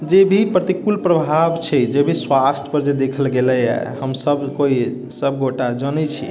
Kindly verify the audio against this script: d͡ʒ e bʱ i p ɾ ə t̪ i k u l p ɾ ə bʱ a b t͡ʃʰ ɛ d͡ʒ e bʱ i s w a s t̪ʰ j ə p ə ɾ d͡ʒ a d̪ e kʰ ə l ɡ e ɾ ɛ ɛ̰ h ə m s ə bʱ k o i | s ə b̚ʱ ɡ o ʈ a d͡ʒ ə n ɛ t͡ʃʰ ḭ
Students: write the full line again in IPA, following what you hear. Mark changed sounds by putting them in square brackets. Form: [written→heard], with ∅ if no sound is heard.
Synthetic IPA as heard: d͡ʒ e bʱ i p ɾ ə t̪ i k u l p ɾ ə bʱ a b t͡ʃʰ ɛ d͡ʒ e bʱ i s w a s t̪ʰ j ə p ə ɾ d͡ʒ [a→e] d̪ e kʰ ə l ɡ e [ɾ→l] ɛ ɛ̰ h ə m s ə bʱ k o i | s ə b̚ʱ ɡ o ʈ a d͡ʒ ə n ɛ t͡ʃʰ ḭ